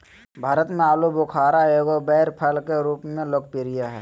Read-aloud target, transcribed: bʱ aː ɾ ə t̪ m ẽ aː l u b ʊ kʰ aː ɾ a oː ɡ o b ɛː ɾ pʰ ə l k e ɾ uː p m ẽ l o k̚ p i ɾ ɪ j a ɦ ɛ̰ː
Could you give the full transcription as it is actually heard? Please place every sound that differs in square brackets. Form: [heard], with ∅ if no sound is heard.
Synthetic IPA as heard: bʱ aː ɾ ə t̪ m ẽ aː l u b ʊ kʰ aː ɾ a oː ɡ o b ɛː ɾ pʰ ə l k e ɾ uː p m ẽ l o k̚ p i ɾ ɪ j a ɦ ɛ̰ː